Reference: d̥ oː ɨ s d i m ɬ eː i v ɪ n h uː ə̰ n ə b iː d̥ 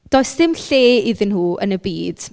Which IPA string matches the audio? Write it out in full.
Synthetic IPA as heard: d̥ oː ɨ s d ɪ m ɬ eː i ð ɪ n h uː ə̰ n ə b iː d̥